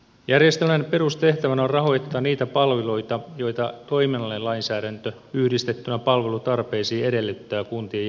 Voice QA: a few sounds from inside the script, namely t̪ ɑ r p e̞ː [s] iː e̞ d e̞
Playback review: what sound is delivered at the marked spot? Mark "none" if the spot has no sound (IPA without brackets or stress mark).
s